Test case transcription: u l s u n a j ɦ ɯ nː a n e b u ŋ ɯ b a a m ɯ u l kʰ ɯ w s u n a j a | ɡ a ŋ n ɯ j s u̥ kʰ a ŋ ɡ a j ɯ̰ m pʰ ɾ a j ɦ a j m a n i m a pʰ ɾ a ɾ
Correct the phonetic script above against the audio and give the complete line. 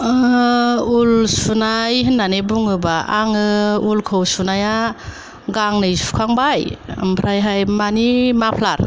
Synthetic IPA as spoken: u l s u n a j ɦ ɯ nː a n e b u ŋ ɯ b a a ŋ ɯ u l kʰ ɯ w s u n a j a | ɡ a ŋ n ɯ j s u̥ kʰ a ŋ b a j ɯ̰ m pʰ ɾ a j ɦ a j m a n i m a pʰ l a ɾ

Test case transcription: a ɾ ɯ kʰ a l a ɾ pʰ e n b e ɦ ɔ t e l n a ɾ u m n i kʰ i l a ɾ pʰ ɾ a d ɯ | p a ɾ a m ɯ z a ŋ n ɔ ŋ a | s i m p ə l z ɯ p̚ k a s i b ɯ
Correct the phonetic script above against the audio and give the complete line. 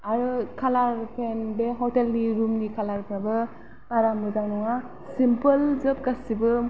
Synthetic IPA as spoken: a ɾ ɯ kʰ a l a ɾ pʰ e n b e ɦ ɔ t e l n i ɾ u m n i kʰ a l a ɾ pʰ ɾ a b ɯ | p a ɾ a m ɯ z a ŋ n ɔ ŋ a | s i m p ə l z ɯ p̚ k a s i b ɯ

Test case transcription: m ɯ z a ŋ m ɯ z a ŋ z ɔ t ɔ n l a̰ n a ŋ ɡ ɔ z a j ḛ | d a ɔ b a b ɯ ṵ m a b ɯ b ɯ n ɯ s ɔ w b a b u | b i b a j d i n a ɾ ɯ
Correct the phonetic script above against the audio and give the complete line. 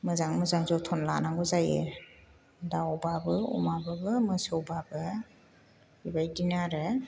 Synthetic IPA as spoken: m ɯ z a ŋ m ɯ z a ŋ z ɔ tʰ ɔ n l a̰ n a ŋ ɡ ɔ z a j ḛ | d a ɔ b a b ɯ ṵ m a b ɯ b ɯ m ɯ s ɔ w b a b ɯ | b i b a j d i n a ɾ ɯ

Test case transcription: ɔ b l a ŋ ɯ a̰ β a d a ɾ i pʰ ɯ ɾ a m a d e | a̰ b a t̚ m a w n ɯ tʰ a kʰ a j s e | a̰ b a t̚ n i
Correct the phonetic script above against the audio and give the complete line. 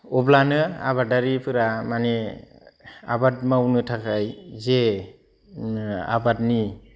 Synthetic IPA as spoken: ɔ b l a n ɯ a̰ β a d a ɾ i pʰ ɯ ɾ a m a n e | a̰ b a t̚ m a w n ɯ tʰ a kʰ a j z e | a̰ b a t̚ n i

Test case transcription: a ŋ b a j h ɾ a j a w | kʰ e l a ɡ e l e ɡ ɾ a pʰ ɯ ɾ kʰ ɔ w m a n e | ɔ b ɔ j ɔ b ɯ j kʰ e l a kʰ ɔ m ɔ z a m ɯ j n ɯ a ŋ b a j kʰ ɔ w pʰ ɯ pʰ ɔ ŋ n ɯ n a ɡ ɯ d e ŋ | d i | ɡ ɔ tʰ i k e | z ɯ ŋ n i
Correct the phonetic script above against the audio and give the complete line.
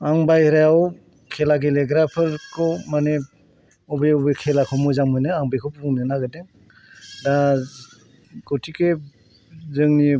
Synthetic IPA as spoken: a ŋ b a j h ɾ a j a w | kʰ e l a ɡ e l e ɡ ɾ a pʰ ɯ ɾ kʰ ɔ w m a n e | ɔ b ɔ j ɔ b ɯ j kʰ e l a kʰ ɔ m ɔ z a m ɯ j n ɯ a ŋ b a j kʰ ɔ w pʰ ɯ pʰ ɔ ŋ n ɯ n a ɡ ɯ d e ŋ | d a | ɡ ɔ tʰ i k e | z ɯ ŋ n i

